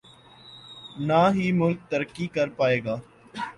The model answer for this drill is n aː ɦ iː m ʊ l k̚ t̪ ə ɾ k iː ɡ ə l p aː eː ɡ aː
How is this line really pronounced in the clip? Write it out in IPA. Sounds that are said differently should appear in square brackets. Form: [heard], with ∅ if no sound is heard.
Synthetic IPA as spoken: n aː ɦ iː m ʊ l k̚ t̪ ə ɾ k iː [k] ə [ɾ] p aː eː ɡ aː